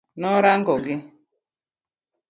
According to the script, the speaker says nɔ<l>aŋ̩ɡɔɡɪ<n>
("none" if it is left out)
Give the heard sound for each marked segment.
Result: ɾ, none

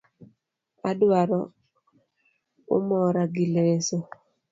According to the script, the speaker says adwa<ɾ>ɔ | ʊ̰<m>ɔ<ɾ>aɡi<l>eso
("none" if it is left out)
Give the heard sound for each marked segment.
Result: ɾ, m, ɾ, l

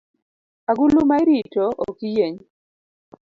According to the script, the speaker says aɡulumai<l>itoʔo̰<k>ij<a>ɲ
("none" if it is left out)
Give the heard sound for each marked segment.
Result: ɾ, k, e

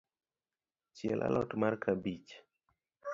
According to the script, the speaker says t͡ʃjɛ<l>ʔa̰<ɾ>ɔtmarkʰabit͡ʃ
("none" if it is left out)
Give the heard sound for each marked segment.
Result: l, l

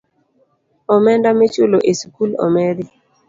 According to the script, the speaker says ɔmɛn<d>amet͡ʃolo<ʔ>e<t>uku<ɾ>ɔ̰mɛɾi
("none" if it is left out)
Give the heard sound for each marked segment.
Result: d, ʔ, s, l

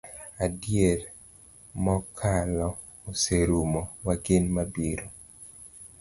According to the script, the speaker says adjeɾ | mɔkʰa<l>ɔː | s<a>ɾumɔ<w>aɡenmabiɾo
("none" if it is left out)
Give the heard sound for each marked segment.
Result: l, e, w

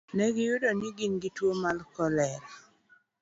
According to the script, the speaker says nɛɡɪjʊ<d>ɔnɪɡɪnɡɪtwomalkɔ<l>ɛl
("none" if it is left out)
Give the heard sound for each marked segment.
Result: d, l

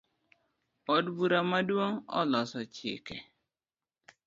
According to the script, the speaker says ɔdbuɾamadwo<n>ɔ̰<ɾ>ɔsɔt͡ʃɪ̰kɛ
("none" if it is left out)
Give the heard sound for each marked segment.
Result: ŋ, l

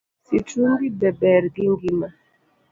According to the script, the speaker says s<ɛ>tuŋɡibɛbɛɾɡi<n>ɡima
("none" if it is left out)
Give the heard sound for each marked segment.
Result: i, ŋ

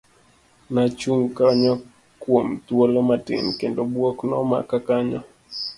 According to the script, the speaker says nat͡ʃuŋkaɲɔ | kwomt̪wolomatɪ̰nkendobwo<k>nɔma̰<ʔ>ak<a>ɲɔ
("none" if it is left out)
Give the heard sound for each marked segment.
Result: k, k, a

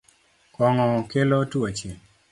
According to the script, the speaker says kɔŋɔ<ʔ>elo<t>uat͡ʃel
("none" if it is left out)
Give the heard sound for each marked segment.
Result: k, t

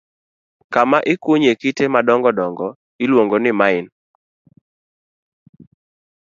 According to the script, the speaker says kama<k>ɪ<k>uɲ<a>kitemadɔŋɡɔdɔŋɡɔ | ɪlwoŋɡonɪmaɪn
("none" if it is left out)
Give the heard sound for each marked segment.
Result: ʔ, k, e

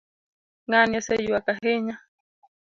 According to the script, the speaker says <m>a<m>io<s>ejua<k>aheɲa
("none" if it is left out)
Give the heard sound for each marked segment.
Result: ŋ, n, s, k

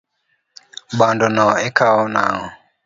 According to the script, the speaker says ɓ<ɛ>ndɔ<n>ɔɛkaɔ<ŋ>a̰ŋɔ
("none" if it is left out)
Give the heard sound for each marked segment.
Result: a, n, n

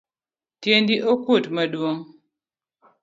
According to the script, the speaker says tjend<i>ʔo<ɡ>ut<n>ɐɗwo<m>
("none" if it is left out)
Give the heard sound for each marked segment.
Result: i, k, m, ŋ

